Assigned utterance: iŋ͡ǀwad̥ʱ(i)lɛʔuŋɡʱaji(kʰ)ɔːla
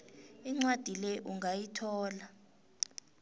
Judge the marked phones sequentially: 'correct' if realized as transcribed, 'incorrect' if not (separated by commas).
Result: correct, incorrect